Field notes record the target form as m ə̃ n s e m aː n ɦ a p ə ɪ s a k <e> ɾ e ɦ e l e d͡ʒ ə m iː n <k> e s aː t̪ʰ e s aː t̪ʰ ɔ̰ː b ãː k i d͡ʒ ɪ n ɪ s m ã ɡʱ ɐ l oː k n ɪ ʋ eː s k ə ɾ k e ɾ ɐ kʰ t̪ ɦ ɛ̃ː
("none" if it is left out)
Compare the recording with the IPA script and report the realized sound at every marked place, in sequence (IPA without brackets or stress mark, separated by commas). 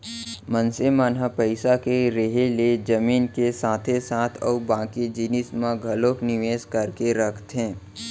e, k